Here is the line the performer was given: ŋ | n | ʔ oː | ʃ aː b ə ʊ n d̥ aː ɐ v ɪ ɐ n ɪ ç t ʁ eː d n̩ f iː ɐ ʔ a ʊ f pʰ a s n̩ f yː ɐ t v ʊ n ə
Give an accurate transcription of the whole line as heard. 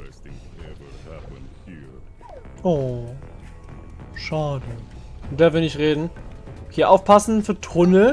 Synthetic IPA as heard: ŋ | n | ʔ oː | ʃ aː d ə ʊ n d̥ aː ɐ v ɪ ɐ n ɪ ç t ʁ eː d n̩ h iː ɐ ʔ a ʊ f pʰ a s n̩ f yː ɐ t ʁ ʊ n ə